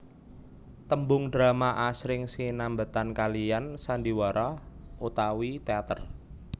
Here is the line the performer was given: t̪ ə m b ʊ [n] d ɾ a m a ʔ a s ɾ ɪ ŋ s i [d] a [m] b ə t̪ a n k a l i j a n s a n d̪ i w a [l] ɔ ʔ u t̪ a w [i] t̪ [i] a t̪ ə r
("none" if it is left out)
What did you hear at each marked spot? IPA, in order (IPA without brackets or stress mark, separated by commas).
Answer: ŋ, n, m, ɾ, i, e